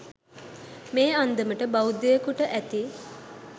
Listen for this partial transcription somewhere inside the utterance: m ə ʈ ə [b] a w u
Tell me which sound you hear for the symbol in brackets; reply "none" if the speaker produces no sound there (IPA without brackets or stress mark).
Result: b